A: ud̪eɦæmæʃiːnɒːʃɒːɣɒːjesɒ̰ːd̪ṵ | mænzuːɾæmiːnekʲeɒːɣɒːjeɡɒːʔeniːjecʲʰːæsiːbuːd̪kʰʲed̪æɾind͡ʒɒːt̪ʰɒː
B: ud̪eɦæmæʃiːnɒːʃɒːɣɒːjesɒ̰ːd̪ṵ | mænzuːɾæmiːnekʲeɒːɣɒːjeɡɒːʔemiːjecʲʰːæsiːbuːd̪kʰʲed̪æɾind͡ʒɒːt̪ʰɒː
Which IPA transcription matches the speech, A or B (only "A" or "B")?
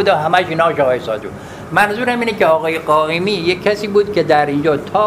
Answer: B